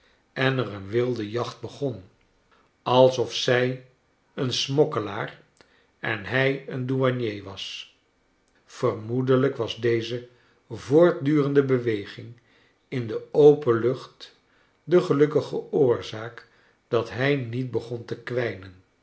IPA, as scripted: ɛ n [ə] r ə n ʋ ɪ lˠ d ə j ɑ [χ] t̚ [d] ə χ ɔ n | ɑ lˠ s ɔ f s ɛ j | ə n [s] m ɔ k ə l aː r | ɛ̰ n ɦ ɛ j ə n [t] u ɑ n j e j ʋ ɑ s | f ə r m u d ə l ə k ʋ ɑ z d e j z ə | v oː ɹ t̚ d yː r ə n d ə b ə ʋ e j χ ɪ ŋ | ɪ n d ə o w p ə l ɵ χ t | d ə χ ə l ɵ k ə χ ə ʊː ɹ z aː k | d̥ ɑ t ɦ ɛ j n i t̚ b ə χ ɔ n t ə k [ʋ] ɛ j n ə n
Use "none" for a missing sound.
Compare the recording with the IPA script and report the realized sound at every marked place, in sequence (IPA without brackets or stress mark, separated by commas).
ə, χ, b, s, d, ʋ